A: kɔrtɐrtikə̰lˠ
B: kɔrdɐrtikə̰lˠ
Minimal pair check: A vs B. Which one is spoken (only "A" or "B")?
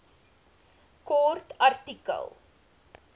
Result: A